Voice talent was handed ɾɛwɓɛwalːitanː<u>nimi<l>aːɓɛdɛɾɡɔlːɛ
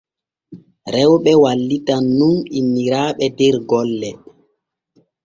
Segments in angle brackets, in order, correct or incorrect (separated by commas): correct, incorrect